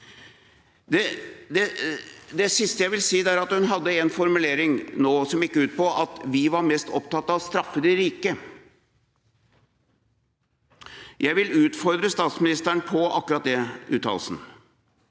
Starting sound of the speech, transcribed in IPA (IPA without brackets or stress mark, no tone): d̪